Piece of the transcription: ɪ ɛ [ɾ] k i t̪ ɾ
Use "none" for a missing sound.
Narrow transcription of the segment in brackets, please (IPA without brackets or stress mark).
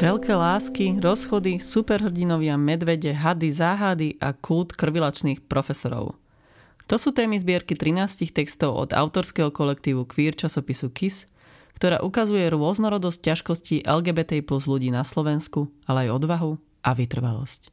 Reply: ɾ